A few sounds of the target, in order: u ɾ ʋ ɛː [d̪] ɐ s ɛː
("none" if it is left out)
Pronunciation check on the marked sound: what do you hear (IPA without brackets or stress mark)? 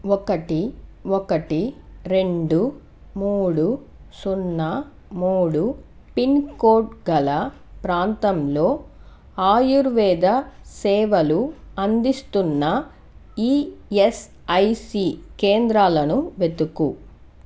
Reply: d̪